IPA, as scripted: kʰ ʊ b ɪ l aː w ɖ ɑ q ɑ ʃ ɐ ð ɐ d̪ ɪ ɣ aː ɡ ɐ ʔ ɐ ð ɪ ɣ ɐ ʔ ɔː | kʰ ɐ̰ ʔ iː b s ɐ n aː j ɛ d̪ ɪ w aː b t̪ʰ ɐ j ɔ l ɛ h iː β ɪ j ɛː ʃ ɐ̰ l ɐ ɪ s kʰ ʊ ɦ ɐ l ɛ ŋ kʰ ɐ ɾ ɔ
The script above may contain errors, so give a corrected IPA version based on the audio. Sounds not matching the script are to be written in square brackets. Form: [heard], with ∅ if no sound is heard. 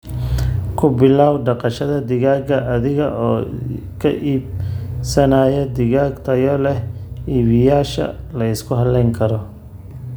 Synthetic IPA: kʰ ʊ b ɪ l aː w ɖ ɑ q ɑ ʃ ɐ ð ɐ d̪ ɪ ɣ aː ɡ ɐ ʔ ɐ ð ɪ ɣ ɐ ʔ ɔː | kʰ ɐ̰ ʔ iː b s ɐ n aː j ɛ d̪ ɪ [ɣ] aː [ɡ] t̪ʰ ɐ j ɔ l ɛ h iː β ɪ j [aː] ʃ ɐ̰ l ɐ ɪ s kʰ ʊ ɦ ɐ l ɛ ŋ kʰ ɐ ɾ ɔ